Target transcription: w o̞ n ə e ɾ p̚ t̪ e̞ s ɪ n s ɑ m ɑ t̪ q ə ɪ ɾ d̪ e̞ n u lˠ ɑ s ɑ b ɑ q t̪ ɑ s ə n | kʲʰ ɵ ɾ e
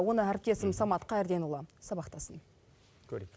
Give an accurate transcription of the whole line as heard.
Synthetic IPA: w o̞ n ə æ ɾ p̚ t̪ e̞ s ɪ m s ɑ m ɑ t̪ q ɑ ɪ ɾ d̪ e̞ n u lˠ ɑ s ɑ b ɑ q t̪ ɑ s ə n | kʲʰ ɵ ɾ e